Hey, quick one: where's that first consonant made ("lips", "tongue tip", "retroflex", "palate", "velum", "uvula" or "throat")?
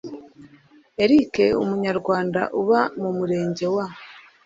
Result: tongue tip